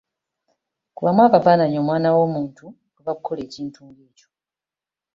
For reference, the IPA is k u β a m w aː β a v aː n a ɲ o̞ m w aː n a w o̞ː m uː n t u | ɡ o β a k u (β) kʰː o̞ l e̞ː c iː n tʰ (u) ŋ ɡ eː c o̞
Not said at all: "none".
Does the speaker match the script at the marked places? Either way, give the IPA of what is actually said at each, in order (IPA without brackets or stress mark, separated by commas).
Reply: none, uː